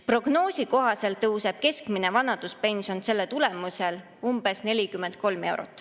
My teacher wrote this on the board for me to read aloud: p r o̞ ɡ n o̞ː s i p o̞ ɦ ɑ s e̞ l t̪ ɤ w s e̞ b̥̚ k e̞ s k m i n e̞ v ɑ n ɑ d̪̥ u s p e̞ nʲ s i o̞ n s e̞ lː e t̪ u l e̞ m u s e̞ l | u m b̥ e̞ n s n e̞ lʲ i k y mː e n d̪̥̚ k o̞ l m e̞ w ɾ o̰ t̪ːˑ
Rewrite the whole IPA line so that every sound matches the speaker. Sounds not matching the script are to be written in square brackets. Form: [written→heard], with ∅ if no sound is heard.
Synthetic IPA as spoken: p r o̞ ɡ n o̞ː s i [p→k] o̞ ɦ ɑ s e̞ l t̪ ɤ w s e̞ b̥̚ k e̞ s k m i n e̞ v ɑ n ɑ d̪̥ u s p e̞ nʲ s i o̞ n s e̞ lː e t̪ u l e̞ m u s e̞ l | u m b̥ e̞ [n→∅] s n e̞ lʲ i k y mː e n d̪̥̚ k o̞ l m e̞ w ɾ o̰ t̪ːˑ